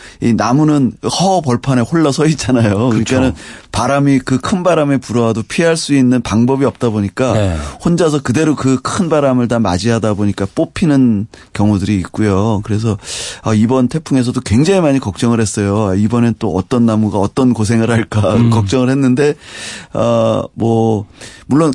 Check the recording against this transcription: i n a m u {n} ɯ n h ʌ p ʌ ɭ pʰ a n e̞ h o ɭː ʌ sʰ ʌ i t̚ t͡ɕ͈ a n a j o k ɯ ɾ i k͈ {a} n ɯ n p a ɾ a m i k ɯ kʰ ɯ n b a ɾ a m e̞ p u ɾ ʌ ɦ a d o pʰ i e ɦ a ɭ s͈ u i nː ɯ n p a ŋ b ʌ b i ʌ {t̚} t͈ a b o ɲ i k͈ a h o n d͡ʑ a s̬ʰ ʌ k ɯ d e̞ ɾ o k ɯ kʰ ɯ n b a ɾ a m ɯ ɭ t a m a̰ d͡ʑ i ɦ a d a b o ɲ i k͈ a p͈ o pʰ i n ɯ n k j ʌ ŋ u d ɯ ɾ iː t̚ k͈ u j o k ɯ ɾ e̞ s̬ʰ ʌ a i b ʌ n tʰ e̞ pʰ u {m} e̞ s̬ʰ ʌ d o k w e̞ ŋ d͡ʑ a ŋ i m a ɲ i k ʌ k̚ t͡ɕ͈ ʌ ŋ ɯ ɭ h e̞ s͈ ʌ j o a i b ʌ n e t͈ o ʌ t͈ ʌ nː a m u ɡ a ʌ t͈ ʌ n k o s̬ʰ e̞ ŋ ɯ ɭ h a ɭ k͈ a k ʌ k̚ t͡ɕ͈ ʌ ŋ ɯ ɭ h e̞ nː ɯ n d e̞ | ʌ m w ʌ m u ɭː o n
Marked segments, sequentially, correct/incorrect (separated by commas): correct, correct, incorrect, incorrect